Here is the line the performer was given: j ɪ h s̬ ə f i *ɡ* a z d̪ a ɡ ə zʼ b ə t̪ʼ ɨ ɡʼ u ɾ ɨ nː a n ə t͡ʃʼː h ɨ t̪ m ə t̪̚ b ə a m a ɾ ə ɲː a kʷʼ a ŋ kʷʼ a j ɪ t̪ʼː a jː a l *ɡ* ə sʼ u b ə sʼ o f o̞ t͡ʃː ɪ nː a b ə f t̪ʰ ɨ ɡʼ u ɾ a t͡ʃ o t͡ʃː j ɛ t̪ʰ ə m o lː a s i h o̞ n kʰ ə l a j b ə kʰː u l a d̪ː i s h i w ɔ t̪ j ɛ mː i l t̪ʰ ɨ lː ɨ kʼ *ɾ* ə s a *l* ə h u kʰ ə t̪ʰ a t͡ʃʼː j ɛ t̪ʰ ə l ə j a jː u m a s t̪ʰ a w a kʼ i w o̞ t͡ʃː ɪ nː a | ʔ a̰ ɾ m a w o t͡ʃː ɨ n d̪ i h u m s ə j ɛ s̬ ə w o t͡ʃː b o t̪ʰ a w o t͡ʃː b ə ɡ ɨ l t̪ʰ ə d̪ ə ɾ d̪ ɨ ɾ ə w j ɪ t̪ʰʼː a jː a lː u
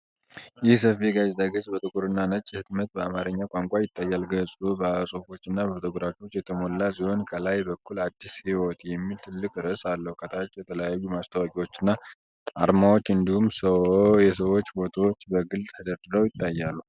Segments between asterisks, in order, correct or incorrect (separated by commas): correct, correct, correct, incorrect